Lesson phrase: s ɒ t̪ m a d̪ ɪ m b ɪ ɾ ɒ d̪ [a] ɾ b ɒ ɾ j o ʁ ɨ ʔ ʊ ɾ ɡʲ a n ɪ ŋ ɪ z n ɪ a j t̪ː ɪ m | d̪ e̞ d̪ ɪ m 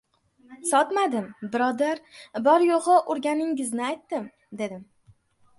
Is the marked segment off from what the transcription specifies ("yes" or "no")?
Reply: no